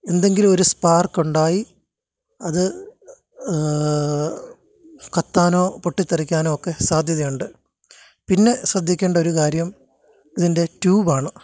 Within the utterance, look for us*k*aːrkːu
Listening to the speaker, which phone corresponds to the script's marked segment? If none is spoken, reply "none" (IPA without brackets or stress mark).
p